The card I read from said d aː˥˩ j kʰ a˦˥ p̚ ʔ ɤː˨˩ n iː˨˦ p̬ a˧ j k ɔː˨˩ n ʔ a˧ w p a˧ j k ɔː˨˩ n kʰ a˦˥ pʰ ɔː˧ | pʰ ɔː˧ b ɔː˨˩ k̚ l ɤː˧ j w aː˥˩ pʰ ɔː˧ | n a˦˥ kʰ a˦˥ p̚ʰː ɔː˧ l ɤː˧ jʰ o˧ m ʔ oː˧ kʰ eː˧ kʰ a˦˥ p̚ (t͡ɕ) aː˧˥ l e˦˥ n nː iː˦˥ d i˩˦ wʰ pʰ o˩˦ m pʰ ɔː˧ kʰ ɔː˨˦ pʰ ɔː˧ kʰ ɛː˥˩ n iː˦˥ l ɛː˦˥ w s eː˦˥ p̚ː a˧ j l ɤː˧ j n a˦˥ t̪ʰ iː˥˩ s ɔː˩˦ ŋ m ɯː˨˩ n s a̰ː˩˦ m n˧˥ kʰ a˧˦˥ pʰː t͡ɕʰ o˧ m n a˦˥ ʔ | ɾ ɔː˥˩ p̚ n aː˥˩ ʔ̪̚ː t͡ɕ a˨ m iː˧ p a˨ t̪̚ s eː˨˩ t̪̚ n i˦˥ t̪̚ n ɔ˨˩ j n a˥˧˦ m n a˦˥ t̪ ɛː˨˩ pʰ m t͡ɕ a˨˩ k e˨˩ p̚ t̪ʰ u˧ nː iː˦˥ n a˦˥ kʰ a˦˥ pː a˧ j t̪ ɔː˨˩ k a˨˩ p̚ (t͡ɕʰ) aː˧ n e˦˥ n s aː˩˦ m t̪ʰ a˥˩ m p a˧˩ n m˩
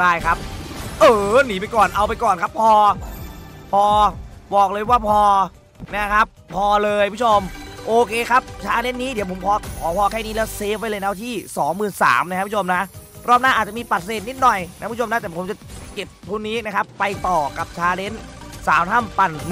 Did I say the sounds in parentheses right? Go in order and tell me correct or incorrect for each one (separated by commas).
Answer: incorrect, correct